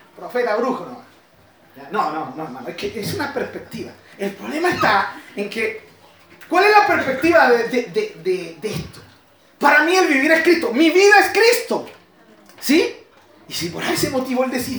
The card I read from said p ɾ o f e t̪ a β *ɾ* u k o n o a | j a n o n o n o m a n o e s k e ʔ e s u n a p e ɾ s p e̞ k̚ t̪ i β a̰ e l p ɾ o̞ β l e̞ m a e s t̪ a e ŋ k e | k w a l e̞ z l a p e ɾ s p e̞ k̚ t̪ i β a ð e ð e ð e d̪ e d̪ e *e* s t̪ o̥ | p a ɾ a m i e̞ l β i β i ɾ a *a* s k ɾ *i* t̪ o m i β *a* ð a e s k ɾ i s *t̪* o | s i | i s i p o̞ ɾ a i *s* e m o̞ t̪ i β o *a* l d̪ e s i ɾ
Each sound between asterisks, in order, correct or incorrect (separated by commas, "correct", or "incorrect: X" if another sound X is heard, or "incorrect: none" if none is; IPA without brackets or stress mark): correct, correct, incorrect: e, correct, incorrect: i, correct, correct, incorrect: e